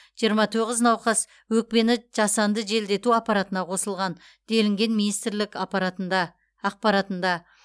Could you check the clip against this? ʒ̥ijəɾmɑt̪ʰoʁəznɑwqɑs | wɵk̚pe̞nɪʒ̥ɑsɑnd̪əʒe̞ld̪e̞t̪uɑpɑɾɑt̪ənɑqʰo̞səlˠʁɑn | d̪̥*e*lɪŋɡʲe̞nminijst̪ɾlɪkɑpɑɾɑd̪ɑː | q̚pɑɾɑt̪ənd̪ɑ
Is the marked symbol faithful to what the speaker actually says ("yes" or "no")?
yes